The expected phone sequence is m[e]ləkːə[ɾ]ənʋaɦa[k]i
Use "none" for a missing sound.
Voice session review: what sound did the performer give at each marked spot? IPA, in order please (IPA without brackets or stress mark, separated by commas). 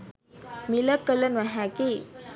i, l, k